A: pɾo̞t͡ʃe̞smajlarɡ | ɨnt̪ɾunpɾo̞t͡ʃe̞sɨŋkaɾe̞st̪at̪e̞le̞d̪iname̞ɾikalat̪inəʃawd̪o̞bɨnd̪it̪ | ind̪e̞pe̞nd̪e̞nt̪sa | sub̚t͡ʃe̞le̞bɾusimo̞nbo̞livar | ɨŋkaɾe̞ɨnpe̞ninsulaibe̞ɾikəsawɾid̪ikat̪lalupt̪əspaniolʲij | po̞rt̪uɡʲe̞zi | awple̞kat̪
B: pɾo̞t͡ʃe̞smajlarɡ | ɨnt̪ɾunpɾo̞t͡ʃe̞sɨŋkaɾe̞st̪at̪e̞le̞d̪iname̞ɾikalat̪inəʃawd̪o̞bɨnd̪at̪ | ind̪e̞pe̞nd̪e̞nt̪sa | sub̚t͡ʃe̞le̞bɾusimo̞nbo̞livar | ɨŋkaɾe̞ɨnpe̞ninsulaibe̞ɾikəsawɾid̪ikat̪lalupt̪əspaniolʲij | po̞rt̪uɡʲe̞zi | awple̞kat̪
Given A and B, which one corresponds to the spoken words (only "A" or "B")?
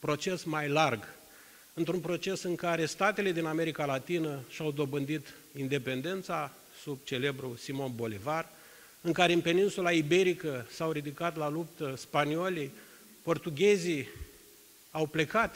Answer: A